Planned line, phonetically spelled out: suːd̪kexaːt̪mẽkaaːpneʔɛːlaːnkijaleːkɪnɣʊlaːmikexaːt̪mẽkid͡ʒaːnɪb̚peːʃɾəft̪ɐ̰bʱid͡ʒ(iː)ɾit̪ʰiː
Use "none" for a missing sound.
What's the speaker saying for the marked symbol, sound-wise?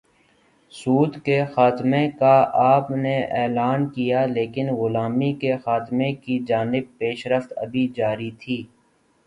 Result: aː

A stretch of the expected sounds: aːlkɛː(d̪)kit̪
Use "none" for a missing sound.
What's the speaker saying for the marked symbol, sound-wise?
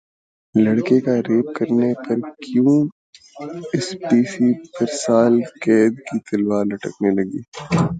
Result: d̪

